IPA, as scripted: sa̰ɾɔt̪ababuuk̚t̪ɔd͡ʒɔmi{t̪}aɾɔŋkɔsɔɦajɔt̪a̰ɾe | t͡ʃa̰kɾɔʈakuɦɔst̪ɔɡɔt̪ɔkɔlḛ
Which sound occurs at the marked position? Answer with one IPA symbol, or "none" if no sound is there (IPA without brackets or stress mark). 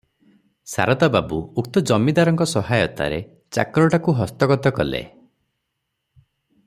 d̪